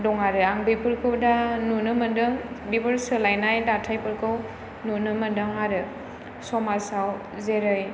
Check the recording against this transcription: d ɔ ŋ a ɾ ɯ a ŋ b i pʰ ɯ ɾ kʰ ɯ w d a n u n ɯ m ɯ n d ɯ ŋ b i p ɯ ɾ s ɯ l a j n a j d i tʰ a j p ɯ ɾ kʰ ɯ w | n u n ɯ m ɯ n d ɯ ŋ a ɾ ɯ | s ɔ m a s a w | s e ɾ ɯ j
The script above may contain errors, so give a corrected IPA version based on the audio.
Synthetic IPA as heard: d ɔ ŋ a ɾ ɯ a ŋ b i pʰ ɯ ɾ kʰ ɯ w d a n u n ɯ m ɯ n d ɯ ŋ b i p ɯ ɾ s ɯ l a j n a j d a tʰ a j p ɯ ɾ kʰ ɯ w | n u n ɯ m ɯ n d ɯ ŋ a ɾ ɯ | s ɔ m a s a w | z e ɾ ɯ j